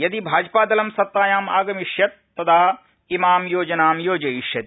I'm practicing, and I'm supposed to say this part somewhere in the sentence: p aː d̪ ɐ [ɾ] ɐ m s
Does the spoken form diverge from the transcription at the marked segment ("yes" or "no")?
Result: yes